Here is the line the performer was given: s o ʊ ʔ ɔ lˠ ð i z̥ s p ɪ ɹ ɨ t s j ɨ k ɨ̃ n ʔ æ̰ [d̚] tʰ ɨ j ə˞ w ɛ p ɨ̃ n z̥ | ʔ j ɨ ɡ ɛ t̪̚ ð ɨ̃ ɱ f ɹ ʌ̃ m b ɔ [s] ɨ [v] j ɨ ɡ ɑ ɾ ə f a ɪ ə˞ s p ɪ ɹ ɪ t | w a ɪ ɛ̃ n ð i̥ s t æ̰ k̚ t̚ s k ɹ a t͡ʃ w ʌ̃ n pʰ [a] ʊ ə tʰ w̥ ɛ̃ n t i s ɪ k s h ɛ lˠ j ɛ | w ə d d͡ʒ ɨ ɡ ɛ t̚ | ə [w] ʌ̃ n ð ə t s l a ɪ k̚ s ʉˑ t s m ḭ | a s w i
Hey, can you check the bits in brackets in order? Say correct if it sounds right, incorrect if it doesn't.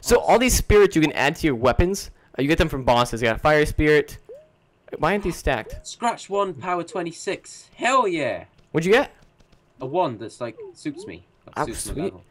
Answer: correct, correct, incorrect: z, correct, correct

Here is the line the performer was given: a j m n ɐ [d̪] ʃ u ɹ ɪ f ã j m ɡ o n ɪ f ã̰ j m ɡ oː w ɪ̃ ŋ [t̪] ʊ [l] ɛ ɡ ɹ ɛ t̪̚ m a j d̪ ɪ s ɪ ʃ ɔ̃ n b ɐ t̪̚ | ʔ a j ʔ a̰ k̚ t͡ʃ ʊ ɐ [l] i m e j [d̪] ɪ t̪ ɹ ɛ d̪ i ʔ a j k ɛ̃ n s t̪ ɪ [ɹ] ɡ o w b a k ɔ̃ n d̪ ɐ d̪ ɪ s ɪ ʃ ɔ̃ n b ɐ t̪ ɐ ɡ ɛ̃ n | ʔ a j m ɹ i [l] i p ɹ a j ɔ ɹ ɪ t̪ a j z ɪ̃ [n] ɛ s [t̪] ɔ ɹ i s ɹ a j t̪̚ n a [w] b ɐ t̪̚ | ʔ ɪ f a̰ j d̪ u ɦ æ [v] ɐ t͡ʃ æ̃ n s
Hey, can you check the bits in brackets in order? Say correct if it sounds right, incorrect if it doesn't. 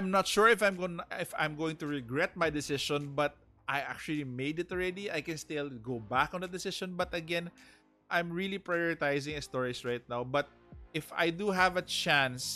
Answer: incorrect: t̪, correct, incorrect: ɹ, correct, correct, incorrect: l, correct, incorrect: ŋ, correct, correct, correct

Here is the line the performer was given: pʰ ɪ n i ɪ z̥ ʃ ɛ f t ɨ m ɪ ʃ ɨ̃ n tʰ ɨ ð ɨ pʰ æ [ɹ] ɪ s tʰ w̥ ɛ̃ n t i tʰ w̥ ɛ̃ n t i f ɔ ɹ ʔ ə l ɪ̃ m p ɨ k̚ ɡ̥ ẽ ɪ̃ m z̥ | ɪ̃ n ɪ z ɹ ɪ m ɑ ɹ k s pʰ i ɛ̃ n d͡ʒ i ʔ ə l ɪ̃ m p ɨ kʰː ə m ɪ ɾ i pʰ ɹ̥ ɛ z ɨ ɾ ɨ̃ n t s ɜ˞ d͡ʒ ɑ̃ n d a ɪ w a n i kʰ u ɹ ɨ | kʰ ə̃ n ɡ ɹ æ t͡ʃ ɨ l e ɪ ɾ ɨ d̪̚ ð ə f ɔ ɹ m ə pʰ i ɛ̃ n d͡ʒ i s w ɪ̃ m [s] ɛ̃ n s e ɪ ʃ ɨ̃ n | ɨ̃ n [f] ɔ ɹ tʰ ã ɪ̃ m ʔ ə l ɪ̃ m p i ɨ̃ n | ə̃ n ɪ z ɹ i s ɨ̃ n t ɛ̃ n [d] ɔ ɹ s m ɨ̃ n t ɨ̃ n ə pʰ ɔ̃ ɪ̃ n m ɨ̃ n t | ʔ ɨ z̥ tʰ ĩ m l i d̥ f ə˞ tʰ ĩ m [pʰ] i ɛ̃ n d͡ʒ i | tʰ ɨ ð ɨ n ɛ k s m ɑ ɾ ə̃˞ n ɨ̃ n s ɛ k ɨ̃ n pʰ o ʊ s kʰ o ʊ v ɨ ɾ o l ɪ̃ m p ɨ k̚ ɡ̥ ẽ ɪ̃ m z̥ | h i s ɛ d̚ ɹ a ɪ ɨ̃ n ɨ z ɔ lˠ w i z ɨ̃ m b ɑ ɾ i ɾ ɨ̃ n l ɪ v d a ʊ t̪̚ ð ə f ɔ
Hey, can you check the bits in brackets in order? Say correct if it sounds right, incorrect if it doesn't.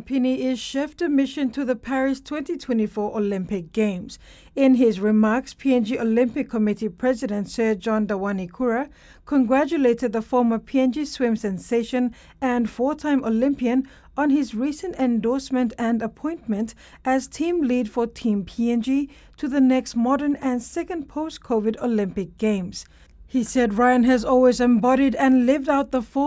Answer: correct, correct, correct, correct, correct

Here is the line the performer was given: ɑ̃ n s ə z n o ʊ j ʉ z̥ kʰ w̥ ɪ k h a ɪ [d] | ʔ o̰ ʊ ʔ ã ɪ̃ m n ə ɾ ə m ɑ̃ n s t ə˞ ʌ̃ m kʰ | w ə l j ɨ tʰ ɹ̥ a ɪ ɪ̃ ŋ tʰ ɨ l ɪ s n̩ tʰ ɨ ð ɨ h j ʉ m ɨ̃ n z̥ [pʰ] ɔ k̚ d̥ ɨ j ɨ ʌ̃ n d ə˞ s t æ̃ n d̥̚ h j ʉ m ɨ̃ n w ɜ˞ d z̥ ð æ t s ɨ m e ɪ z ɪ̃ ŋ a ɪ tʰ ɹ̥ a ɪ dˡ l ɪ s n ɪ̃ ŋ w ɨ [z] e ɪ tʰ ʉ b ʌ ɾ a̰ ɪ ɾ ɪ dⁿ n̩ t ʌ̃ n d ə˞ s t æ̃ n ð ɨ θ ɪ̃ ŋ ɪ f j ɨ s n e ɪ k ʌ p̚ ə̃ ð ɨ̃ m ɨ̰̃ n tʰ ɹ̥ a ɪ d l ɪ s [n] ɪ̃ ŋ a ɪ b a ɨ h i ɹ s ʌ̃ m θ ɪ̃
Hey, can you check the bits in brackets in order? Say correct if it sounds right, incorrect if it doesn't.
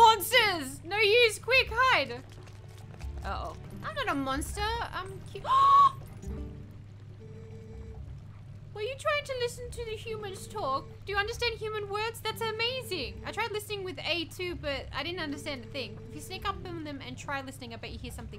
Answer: correct, incorrect: tʰ, incorrect: ð, correct

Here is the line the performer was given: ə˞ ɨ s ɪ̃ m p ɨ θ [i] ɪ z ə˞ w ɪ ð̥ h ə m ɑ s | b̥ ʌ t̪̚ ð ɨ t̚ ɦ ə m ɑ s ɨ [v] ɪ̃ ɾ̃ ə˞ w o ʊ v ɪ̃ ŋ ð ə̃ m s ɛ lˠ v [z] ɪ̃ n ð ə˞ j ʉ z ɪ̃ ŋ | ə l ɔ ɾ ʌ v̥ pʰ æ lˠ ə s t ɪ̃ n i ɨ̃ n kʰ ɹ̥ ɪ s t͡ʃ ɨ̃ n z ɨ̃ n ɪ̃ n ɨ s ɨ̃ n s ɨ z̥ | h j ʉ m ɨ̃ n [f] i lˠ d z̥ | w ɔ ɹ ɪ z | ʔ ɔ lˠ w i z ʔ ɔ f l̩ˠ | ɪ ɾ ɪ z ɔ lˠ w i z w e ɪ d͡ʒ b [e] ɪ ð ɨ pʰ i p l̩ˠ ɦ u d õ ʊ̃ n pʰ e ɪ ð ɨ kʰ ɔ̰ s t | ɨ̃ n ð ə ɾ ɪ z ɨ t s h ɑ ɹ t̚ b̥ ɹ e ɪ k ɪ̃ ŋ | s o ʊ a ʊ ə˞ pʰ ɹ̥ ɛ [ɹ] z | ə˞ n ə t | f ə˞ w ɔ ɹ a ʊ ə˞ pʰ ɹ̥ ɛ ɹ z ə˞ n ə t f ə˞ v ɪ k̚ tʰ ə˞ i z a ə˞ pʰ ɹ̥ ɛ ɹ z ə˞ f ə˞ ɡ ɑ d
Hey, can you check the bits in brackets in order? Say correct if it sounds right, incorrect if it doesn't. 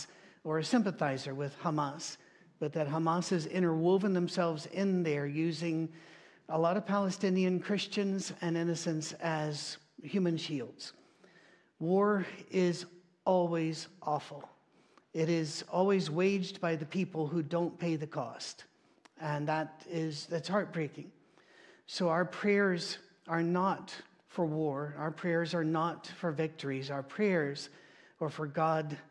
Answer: incorrect: a, incorrect: z, correct, incorrect: ʃ, incorrect: a, correct

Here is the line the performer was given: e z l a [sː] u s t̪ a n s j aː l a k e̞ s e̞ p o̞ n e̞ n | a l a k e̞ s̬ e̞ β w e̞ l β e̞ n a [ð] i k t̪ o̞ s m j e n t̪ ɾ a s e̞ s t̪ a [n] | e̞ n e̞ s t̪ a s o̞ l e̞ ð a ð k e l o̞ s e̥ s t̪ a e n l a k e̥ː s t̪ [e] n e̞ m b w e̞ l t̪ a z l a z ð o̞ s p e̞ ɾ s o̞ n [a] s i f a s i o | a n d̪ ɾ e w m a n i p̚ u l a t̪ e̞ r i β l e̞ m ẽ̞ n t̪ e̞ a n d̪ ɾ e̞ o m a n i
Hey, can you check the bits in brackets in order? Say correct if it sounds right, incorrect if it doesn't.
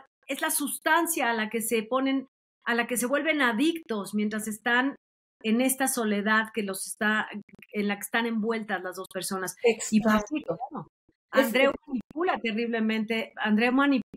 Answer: incorrect: s, correct, correct, incorrect: a, correct

